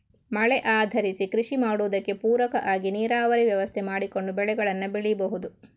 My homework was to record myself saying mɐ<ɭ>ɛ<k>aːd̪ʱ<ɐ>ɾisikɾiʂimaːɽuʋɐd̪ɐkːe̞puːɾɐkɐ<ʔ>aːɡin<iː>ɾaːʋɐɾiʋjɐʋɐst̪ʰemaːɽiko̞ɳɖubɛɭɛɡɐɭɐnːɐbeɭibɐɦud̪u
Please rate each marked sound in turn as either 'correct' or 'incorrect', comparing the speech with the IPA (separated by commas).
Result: correct, incorrect, correct, correct, correct